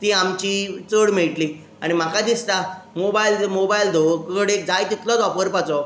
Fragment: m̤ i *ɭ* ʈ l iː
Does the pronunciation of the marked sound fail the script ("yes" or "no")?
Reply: no